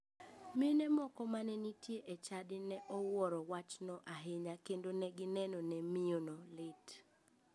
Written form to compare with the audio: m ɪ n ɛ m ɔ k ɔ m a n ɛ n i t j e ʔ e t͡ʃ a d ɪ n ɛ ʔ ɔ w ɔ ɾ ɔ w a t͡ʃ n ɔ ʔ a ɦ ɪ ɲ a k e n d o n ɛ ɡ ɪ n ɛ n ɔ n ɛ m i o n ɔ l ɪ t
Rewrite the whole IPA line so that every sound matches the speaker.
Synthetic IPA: m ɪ n ɛ m ɔ k ɔ m a n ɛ n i t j e ʔ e t͡ʃ a d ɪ n ɛ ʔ ɔ w ɔ ɾ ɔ w a t͡ʃ n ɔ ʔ a ɦ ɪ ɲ a k e n d o n ɛ ɡ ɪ n ɛ n ɔ n ɛ m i o n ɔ l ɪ t